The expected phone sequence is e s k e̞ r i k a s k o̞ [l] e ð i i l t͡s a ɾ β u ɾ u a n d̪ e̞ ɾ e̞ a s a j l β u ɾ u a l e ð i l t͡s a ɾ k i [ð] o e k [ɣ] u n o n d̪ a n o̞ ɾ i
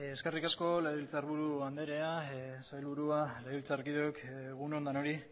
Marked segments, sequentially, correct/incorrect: correct, correct, correct

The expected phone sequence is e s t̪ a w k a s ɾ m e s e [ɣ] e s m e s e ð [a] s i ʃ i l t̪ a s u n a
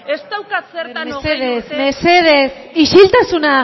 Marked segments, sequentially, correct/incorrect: incorrect: ð, incorrect: e

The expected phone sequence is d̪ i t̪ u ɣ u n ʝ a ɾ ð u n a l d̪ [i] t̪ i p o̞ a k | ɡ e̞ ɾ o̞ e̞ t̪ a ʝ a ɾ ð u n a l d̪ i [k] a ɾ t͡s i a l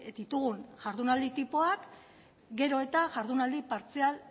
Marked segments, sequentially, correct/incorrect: correct, incorrect: p

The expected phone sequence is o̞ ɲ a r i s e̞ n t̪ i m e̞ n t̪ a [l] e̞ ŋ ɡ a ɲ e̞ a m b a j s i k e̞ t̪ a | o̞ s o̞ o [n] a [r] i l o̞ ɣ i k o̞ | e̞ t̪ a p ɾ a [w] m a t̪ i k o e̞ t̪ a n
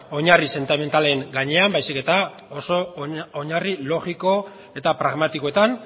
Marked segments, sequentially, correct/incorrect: correct, incorrect: ɲ, correct, incorrect: ɣ

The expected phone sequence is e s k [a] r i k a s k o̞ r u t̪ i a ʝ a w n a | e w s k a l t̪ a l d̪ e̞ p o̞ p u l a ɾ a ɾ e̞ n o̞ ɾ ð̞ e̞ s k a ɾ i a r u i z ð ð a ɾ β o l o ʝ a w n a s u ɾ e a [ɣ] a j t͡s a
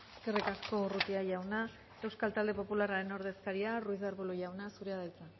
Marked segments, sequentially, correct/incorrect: incorrect: e, incorrect: ð

